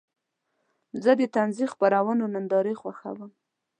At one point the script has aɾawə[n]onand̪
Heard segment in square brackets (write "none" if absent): n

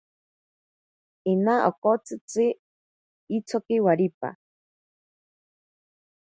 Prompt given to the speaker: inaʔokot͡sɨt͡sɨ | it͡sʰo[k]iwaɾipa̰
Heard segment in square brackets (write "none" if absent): k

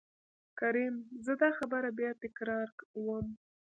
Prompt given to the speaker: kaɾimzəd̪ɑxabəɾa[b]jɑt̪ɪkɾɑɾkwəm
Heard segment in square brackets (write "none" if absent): b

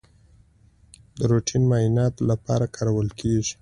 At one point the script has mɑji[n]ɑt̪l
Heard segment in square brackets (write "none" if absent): n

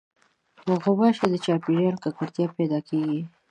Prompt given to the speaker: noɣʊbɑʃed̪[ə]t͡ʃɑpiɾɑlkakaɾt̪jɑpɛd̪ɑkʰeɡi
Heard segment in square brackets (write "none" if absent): ə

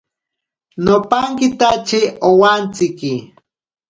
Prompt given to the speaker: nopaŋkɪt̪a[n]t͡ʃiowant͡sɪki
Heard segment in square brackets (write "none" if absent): none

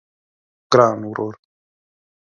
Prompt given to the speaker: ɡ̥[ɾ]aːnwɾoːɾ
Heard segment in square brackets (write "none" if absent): ɾ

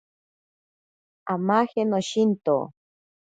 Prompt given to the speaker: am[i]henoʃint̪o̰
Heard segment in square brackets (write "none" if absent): a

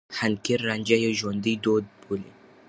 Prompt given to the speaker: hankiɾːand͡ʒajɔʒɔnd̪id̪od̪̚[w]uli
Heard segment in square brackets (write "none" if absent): b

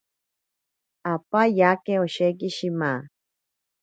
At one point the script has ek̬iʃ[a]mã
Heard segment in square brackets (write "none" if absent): i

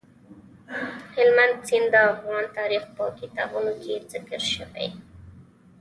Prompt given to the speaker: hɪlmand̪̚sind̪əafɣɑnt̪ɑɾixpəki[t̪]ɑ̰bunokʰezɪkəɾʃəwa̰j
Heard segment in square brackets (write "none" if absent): t̪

